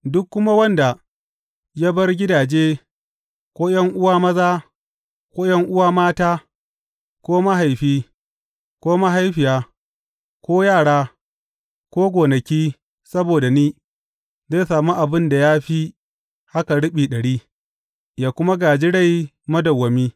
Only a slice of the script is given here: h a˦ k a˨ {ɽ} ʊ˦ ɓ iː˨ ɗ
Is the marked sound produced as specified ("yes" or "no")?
yes